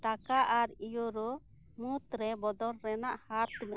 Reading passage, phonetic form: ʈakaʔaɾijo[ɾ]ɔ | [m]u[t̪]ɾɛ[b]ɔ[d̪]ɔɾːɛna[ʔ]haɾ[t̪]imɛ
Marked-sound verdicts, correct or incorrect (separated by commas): correct, correct, correct, correct, correct, correct, correct